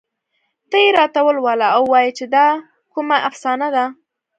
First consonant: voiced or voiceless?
voiceless